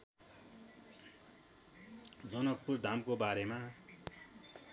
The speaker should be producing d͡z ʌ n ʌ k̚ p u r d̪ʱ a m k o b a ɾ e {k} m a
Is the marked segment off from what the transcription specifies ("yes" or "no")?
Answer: yes